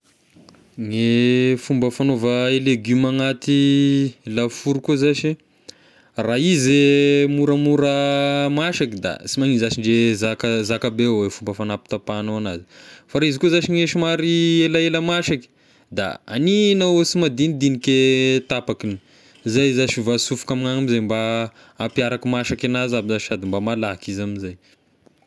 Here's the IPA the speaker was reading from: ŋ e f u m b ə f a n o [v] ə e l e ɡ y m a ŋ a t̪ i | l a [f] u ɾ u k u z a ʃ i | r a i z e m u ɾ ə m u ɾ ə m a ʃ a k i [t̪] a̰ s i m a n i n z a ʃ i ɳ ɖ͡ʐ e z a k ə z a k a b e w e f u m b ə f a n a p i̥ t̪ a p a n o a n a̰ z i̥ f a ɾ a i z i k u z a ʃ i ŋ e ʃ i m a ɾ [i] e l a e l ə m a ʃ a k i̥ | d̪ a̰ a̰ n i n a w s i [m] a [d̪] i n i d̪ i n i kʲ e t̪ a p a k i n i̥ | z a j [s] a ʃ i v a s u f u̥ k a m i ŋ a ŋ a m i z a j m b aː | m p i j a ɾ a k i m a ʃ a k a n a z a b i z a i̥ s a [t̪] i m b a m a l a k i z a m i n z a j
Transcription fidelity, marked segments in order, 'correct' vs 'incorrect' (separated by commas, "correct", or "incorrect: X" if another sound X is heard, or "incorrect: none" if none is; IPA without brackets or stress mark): correct, correct, incorrect: d̪, correct, correct, correct, incorrect: z, incorrect: d̪